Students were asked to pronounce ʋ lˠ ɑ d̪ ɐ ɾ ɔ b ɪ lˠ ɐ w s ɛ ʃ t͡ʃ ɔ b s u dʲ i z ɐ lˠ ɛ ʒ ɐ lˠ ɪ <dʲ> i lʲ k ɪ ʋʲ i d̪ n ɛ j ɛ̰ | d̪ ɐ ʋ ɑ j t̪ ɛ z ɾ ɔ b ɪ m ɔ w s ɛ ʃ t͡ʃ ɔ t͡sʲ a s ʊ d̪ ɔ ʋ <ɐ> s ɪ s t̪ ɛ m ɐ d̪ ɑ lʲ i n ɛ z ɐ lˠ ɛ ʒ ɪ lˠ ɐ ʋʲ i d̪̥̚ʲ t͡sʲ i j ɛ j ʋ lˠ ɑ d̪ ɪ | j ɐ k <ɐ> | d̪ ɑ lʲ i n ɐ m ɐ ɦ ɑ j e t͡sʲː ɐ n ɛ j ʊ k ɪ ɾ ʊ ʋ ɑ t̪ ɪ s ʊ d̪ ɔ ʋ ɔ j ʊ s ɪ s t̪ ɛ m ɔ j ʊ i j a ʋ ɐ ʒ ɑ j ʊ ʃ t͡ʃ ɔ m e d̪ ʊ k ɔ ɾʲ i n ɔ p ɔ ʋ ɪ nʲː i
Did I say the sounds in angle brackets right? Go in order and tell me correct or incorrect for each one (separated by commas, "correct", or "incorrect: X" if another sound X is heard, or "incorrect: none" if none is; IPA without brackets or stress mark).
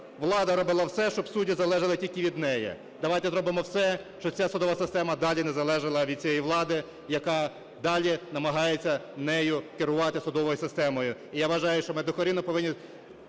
incorrect: tʲ, correct, incorrect: ɑ